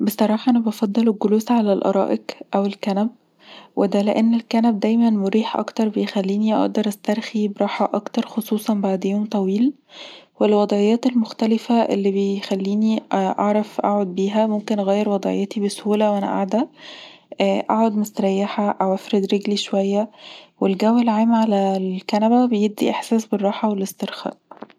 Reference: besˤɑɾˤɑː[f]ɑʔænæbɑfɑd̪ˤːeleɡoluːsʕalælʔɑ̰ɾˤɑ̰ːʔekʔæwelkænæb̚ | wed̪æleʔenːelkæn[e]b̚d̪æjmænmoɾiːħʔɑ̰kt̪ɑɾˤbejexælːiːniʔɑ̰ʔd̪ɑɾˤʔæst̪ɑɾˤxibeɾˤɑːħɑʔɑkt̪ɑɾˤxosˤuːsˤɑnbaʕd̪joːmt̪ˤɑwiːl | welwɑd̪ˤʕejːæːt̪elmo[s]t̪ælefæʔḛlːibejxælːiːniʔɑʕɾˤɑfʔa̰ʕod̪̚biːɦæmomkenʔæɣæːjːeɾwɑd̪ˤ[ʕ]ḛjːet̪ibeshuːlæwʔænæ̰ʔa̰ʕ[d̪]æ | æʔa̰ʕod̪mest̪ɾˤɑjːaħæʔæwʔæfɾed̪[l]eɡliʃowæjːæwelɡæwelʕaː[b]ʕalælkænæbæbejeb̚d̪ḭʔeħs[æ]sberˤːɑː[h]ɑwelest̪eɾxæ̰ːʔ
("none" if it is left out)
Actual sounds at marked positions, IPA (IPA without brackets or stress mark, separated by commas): ħ, æ, x, ʕ, d̪, ɾ, m, æː, ħ